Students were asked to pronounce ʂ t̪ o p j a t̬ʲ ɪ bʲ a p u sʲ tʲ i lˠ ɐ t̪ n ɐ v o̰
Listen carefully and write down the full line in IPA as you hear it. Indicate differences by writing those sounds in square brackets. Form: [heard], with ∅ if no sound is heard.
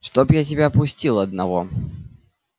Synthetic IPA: ʂ t̪ o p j a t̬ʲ ɪ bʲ a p [ʊ] sʲ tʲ i lˠ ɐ [d̪] n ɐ v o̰